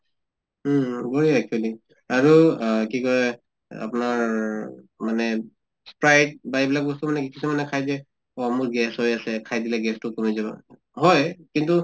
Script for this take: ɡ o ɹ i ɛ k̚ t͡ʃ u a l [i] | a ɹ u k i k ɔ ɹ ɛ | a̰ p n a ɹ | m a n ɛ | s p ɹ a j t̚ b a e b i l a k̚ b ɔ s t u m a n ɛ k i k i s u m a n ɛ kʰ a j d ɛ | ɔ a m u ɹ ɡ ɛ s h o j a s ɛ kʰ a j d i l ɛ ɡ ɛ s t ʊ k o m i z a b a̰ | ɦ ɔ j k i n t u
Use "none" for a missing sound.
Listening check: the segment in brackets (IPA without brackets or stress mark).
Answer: i